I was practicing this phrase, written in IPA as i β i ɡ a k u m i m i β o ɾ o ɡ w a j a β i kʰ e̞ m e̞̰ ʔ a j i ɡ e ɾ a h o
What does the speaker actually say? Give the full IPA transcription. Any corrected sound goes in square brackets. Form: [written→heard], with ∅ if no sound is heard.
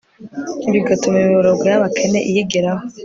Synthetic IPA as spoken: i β i ɡ a [k→t] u m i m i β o ɾ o ɡ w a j a β [i→a] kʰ e̞ [m→n] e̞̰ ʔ [a→i] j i ɡ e ɾ a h o